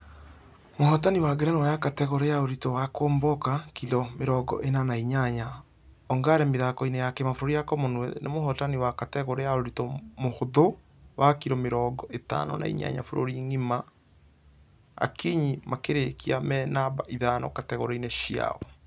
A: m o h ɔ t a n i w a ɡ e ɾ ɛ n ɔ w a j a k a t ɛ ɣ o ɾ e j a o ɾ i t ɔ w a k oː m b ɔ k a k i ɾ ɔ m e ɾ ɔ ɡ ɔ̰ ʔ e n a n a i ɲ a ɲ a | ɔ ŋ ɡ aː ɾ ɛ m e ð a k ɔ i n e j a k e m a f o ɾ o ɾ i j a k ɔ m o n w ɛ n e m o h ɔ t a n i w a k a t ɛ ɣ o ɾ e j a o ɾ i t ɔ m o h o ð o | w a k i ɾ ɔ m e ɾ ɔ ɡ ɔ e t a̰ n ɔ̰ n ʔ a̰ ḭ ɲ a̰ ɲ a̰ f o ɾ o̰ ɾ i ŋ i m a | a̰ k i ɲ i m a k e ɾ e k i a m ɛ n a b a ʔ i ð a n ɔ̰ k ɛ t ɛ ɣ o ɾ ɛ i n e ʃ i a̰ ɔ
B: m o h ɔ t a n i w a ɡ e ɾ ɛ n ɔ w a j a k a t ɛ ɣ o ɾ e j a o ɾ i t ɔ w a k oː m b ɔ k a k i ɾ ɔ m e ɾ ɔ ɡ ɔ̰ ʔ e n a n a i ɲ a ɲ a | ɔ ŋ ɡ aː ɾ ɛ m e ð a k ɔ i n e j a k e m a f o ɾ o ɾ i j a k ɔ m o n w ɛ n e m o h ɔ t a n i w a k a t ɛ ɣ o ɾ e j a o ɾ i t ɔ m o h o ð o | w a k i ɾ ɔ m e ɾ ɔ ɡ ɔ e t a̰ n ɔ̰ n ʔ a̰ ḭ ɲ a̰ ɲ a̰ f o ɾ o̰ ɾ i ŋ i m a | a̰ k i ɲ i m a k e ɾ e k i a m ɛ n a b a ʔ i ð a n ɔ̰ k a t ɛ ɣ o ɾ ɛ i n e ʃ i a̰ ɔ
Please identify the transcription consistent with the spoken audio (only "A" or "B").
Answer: B